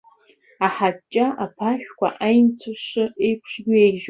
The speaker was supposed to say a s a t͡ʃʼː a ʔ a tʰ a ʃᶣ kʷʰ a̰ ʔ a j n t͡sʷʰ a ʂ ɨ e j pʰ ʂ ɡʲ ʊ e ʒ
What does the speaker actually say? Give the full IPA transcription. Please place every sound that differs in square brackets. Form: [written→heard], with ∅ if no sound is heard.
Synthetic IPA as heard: a [s→ħ] a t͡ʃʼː a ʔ a [tʰ→pʰ] a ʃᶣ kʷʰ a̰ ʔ a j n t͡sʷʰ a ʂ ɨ e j pʰ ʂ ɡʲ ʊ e ʒ